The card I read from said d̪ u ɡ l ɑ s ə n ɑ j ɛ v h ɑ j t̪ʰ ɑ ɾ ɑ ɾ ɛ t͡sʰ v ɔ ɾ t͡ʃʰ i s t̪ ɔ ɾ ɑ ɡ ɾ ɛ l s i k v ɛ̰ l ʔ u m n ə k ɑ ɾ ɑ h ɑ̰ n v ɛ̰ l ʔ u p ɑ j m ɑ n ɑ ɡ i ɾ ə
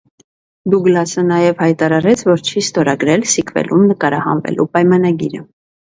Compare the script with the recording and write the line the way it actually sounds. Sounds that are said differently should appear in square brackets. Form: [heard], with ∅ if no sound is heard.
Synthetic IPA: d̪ u ɡ l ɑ s ə n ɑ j ɛ v h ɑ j [t̪] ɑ ɾ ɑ ɾ ɛ t͡sʰ v ɔ ɾ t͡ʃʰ i s t̪ ɔ ɾ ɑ ɡ ɾ ɛ l s i k v ɛ̰ l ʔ u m n ə k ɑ ɾ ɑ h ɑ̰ n v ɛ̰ l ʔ u p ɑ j m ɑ n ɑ ɡ i ɾ ə